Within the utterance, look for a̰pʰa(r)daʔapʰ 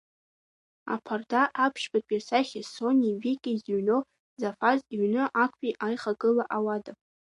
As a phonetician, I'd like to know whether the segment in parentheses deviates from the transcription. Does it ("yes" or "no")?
no